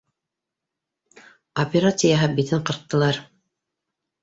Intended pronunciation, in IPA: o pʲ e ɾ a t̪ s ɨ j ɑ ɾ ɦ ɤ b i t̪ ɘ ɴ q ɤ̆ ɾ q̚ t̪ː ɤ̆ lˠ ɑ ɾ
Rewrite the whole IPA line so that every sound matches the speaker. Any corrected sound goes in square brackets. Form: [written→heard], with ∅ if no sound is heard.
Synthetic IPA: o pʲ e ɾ a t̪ s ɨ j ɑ [ɾ→∅] ɦ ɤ b i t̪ ɘ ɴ q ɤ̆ ɾ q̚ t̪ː ɤ̆ lˠ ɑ ɾ